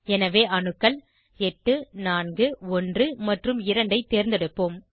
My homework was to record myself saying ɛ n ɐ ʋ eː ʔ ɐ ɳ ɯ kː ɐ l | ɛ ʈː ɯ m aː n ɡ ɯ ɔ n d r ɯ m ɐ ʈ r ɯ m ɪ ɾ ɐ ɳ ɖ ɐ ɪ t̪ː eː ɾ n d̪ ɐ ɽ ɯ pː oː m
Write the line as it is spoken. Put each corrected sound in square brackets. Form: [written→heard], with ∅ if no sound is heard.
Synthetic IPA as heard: ɛ n ɐ ʋ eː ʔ ɐ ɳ ɯ kː ɐ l | ɛ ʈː ɯ [m→n] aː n ɡ ɯ ɔ n d r ɯ m ɐ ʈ r ɯ m ɪ ɾ ɐ ɳ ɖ ɐ ɪ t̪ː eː ɾ n d̪ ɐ ɽ ɯ pː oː m